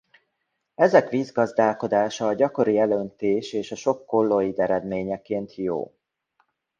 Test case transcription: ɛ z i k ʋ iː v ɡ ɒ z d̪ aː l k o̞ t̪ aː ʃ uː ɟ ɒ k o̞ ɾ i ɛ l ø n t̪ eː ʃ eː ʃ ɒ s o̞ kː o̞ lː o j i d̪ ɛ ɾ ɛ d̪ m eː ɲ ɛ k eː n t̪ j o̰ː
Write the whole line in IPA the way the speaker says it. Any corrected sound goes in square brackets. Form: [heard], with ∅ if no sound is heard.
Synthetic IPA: ɛ z [ɛ] k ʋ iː [z] ɡ ɒ z d̪ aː l k o̞ [d̪] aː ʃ [ɒː] ɟ ɒ k o̞ ɾ i ɛ l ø n t̪ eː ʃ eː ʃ ɒ [ʃ] o̞ kː o̞ lː o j i d̪ ɛ ɾ ɛ d̪ m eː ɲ ɛ k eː n t̪ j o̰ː